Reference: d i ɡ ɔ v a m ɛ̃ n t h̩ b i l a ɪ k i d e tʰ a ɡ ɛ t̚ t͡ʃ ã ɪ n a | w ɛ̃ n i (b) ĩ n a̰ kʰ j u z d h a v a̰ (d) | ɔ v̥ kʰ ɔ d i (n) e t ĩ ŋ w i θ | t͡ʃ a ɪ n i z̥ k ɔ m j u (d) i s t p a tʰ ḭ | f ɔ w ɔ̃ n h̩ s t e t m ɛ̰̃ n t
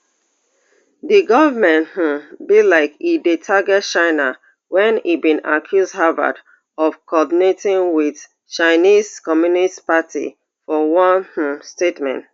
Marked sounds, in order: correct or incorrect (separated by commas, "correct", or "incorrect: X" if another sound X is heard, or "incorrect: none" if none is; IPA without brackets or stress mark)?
correct, correct, correct, incorrect: n